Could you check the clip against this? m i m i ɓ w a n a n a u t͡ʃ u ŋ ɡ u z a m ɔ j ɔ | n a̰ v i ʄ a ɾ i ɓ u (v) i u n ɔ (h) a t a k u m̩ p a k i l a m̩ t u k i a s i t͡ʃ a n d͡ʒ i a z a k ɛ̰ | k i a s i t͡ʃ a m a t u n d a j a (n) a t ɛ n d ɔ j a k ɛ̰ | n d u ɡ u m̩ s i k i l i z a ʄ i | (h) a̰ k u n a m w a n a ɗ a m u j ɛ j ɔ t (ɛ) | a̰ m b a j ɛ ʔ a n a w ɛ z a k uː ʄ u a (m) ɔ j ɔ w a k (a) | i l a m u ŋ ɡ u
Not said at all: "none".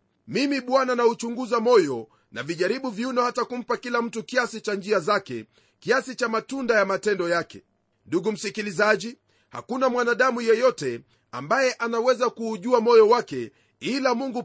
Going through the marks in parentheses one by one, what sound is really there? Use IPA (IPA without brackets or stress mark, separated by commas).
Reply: v, h, m, h, ɛ, m, ɛ